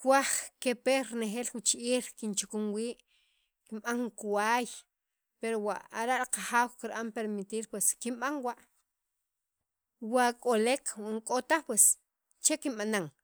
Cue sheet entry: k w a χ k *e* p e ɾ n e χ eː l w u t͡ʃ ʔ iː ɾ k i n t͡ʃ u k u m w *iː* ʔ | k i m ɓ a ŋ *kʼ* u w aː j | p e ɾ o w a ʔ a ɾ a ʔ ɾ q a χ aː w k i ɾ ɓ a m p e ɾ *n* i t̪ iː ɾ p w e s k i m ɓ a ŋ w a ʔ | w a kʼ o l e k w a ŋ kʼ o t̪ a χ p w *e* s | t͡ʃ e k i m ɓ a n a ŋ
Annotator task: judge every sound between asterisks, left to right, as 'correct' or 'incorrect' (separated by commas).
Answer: correct, correct, incorrect, incorrect, correct